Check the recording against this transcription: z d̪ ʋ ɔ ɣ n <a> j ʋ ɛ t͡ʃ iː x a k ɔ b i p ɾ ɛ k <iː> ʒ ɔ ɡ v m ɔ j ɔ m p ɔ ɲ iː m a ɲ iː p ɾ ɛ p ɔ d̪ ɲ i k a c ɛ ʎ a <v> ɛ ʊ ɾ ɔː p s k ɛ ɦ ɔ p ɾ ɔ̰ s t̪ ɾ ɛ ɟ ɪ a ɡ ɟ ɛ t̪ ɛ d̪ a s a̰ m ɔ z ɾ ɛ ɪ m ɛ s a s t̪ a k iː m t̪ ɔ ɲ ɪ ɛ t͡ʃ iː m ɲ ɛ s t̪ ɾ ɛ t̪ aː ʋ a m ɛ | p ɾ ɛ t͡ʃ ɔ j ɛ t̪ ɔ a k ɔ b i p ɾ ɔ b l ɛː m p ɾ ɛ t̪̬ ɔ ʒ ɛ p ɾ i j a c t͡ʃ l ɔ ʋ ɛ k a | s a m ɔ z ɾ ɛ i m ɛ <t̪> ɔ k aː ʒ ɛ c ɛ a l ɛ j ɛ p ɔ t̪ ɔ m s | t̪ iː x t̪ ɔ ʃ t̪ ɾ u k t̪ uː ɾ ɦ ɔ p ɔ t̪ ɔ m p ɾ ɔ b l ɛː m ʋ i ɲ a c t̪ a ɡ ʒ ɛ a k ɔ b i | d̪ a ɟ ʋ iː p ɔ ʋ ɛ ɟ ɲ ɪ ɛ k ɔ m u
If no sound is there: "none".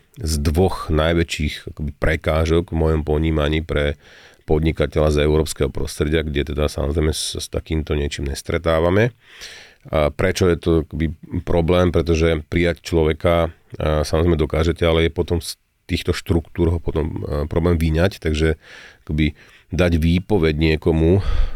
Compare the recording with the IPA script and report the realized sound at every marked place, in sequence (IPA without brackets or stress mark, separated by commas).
a, aː, z, d̪